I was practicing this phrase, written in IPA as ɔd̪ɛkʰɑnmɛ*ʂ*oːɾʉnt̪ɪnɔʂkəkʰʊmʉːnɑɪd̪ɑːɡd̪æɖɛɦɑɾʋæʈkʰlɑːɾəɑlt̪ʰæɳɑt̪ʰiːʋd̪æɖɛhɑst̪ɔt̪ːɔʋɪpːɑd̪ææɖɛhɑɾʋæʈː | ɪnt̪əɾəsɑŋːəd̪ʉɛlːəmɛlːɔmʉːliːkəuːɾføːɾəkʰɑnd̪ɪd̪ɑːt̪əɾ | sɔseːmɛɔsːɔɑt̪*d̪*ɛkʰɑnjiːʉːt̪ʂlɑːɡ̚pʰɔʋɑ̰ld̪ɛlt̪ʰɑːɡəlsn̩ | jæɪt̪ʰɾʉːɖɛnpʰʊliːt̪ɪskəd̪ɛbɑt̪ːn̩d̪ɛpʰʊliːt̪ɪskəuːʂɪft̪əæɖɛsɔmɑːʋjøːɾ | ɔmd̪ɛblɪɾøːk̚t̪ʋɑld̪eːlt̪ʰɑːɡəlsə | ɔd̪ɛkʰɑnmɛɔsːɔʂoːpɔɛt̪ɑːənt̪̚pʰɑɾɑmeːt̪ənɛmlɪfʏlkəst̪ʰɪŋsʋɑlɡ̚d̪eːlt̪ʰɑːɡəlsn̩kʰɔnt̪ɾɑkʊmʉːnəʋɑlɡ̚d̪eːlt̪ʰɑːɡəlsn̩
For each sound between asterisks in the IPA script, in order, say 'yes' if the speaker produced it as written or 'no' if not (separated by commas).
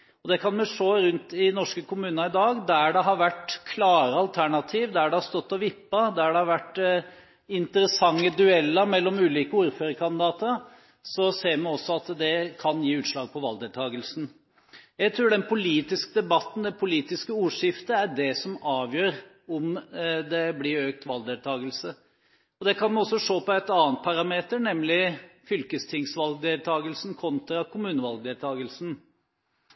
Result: yes, yes